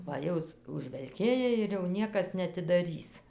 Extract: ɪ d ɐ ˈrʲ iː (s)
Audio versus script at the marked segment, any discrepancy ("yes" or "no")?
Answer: no